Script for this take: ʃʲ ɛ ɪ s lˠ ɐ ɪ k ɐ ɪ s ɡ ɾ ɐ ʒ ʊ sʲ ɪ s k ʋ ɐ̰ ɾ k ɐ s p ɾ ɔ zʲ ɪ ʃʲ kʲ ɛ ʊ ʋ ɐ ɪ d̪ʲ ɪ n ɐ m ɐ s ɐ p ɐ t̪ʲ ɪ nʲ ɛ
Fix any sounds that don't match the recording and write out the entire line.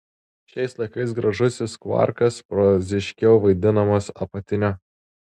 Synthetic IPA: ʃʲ ɛ ɪ s lˠ ɐ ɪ k ɐ ɪ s ɡ ɾ ɐ ʒ ʊ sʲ ɪ s k ʋ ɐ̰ ɾ k ɐ s p ɾ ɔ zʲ ɪ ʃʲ kʲ ɛ ʊ ʋ ɐ ɪ d̪ʲ ɪ n ɐ m ɐ s ɐ p ɐ t̪ʲ ɪ nʲ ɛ